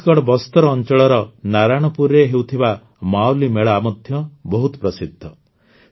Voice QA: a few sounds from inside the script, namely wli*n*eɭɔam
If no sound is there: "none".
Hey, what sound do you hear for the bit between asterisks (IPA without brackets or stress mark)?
m